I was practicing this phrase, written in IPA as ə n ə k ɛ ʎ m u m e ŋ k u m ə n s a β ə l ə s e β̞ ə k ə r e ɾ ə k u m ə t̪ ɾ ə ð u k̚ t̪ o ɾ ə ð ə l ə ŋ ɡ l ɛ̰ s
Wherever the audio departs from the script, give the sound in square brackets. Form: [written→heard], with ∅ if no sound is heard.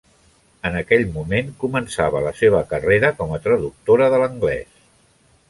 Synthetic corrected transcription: ə n ə k ɛ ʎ m u m e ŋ k u m ə n s a β ə l ə s e β̞ ə k ə r e ɾ ə k [u→ɔ] m ə t̪ ɾ ə ð u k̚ t̪ o ɾ ə ð ə l ə ŋ ɡ l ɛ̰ s